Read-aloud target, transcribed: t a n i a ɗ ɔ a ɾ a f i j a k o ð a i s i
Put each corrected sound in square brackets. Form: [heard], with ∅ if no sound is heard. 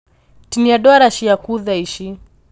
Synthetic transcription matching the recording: t [i] n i a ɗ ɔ a ɾ a [ʃ] i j a k [u] ð a i [ʃ] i